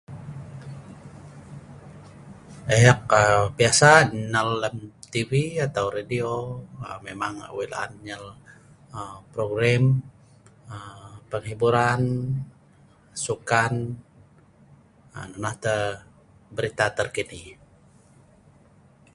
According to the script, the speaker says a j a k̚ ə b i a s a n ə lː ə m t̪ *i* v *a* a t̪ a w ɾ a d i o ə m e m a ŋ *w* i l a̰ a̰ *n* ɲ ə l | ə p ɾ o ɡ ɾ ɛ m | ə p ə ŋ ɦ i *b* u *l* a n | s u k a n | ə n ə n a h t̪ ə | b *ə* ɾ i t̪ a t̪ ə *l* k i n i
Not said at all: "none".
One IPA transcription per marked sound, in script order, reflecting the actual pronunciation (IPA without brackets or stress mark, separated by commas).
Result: i, i, w, n, b, ɾ, ə, r